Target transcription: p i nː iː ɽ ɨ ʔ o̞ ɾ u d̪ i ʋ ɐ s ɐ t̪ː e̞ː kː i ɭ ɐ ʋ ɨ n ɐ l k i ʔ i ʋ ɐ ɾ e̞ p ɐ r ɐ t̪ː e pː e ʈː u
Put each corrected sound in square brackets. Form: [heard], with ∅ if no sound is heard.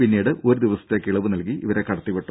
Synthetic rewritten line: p i nː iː ɽ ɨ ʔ o̞ ɾ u d̪ i ʋ ɐ s ɐ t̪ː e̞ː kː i ɭ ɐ ʋ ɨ n ɐ l k i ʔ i ʋ ɐ ɾ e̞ [k] ɐ [ɽ] ɐ t̪ː [i] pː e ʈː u